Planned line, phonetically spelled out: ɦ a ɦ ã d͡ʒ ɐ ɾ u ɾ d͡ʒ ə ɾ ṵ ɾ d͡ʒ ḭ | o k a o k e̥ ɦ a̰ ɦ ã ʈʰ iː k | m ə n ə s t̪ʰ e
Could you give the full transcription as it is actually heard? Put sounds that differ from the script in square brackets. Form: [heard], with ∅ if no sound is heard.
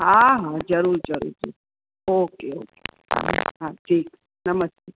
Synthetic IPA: ɦ a ɦ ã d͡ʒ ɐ ɾ u ɾ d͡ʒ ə ɾ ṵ ɾ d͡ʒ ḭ | o k [e] o k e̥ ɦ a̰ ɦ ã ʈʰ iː k | [n] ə [m] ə s [t̪] e